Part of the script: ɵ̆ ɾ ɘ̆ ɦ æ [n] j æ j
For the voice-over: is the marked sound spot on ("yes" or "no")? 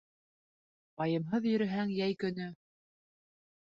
no